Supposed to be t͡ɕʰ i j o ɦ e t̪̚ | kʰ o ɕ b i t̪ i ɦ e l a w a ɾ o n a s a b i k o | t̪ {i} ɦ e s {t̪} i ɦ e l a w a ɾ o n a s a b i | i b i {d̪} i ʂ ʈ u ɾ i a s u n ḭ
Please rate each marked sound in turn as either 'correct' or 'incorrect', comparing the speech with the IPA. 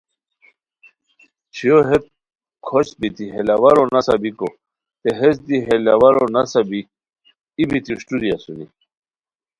incorrect: e, incorrect: d̪, incorrect: t̪

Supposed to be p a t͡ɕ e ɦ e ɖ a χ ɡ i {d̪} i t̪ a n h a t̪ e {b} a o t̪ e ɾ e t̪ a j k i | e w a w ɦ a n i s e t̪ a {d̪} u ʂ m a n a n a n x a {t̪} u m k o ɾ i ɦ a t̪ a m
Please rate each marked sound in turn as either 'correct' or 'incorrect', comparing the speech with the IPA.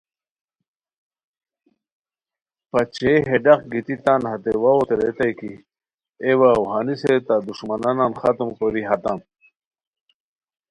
incorrect: t̪, incorrect: w, correct, correct

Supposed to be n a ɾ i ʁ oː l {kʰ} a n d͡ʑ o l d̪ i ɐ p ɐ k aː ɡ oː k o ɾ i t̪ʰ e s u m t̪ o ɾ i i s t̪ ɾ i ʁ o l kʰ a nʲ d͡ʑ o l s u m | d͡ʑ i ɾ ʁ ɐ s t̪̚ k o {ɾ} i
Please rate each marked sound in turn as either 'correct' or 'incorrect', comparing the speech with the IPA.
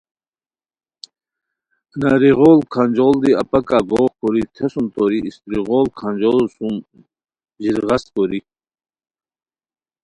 correct, correct

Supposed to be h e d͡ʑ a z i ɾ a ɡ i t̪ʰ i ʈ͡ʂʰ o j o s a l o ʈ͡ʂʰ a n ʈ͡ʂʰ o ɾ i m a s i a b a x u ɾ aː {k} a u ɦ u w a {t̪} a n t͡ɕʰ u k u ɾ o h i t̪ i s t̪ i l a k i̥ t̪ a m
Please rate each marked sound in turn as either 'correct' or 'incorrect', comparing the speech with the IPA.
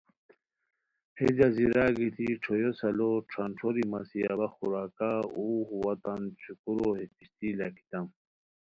correct, correct

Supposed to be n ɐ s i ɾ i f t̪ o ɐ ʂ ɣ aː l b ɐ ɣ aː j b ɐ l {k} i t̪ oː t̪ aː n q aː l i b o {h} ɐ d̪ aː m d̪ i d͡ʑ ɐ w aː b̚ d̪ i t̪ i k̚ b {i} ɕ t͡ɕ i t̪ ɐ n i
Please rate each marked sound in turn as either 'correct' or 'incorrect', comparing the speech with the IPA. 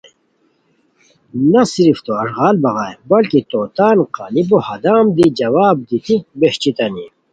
correct, correct, incorrect: e

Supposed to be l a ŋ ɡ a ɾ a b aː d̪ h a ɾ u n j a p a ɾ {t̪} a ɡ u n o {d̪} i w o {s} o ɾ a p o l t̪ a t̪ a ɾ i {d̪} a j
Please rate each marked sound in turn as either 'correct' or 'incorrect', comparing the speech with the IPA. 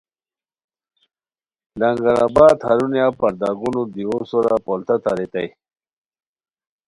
incorrect: d̪, correct, correct, incorrect: t̪

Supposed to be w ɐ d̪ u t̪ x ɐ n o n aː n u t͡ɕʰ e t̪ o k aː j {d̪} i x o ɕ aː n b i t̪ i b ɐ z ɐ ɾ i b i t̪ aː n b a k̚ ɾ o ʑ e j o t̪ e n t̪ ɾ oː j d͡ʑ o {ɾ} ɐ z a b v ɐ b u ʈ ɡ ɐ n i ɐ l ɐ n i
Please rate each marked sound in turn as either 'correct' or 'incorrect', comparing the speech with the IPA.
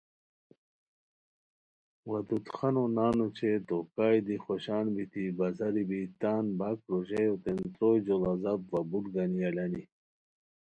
correct, incorrect: l

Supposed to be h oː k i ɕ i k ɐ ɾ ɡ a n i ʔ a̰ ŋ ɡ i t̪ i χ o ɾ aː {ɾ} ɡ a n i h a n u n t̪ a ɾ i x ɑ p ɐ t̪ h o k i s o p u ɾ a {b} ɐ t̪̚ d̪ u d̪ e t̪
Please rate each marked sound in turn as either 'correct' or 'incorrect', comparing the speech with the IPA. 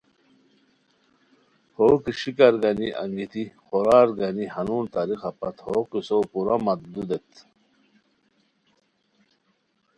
correct, incorrect: m

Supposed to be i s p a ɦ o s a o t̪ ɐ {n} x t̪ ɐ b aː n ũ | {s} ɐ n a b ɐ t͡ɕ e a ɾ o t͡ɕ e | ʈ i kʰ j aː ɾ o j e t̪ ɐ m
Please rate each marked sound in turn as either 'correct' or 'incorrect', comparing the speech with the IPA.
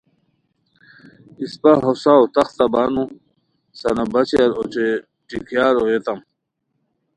incorrect: none, correct

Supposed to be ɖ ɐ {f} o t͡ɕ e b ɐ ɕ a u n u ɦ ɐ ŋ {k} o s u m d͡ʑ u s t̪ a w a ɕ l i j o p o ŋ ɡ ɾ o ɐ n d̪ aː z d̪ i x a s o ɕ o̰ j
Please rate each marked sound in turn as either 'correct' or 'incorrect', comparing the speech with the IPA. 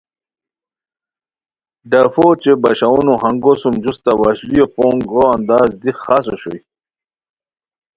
correct, incorrect: ɡ

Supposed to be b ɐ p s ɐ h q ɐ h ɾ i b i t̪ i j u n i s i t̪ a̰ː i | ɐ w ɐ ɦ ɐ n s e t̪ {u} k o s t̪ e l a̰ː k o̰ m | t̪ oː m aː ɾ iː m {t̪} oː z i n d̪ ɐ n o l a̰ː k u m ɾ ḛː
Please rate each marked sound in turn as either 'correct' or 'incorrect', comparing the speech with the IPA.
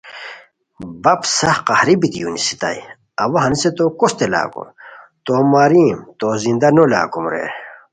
incorrect: o, correct

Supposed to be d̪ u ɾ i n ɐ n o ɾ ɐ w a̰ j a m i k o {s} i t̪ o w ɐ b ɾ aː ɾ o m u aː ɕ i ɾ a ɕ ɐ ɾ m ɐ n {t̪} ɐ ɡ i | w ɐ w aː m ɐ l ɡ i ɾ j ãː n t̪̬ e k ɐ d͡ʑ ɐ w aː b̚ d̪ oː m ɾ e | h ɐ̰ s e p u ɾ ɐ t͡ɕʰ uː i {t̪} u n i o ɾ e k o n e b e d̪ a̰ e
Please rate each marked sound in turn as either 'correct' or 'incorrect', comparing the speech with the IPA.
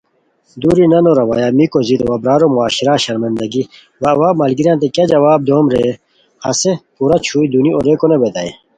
incorrect: z, incorrect: d̪, incorrect: d̪

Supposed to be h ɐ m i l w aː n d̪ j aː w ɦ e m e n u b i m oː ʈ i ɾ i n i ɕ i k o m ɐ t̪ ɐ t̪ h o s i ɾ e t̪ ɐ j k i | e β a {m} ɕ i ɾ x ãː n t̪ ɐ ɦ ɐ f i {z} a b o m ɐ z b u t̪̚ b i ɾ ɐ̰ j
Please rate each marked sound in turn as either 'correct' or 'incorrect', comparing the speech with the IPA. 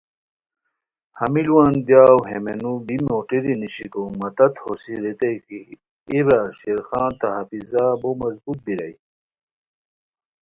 incorrect: none, correct

